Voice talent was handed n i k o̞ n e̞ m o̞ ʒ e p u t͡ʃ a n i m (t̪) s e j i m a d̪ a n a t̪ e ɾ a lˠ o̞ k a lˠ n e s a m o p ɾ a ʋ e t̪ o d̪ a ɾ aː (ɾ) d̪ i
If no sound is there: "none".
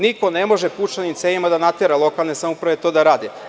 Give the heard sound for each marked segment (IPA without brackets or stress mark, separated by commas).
t̪, none